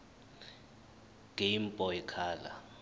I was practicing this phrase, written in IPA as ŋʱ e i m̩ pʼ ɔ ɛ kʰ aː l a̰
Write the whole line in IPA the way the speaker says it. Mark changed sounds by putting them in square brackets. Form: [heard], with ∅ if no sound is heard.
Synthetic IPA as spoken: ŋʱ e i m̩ pʼ ɔ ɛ kʰ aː l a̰